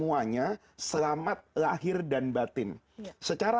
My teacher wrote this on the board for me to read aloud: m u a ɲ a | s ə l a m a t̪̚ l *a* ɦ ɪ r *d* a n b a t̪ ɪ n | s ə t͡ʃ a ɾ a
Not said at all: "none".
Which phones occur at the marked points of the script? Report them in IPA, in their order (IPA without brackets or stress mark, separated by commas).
a, d